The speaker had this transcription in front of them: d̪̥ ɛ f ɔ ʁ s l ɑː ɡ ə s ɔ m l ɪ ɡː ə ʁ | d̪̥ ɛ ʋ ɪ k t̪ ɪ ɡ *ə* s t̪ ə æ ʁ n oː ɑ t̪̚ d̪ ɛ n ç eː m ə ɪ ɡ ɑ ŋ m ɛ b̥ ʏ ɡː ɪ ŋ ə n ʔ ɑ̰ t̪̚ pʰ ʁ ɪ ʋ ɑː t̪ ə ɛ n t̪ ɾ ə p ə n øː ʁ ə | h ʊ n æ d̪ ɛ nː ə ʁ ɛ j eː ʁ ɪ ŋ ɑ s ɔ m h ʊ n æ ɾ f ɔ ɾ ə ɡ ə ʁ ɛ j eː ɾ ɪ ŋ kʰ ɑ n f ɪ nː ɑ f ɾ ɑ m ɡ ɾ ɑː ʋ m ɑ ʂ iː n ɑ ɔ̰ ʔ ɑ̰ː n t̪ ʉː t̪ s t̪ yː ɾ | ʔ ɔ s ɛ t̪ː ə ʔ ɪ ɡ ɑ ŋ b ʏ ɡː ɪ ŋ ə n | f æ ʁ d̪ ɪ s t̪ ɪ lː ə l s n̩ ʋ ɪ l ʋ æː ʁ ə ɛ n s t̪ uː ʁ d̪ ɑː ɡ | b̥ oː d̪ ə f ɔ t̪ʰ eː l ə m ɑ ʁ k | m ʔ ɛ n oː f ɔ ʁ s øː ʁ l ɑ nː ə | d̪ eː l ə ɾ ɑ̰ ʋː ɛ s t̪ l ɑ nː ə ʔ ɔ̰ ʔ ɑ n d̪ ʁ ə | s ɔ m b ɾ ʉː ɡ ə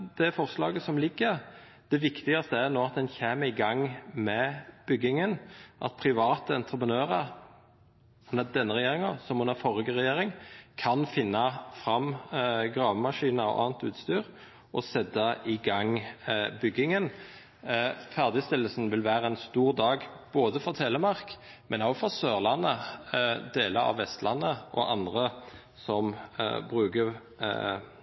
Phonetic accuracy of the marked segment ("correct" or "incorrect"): incorrect